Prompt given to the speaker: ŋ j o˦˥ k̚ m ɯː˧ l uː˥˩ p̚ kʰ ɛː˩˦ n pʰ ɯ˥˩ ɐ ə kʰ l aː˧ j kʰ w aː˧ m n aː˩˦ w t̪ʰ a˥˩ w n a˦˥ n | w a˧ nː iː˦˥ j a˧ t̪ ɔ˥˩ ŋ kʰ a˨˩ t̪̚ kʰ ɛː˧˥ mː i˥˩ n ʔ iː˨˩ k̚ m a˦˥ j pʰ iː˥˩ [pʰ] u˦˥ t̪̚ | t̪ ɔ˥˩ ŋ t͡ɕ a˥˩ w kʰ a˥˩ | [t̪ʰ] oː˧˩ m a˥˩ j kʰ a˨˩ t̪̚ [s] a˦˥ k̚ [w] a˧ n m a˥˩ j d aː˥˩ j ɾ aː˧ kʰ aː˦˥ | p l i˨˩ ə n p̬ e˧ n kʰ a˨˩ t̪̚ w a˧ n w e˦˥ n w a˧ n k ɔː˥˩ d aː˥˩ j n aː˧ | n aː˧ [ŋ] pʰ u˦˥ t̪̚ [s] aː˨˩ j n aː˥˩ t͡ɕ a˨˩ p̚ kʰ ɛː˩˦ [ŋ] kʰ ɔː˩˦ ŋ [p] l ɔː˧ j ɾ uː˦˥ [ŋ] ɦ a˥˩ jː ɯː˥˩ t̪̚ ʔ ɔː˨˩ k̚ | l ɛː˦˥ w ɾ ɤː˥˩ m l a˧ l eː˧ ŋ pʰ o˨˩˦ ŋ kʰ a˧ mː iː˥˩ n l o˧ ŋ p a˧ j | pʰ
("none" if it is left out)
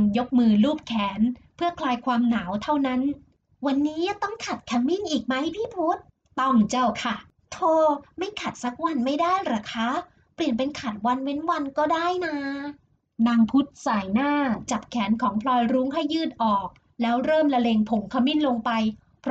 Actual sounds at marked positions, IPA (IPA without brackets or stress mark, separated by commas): pʰ, t̪ʰ, s, w, ŋ, s, n, pʰ, ŋ